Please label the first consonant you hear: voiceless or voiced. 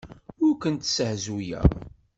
voiced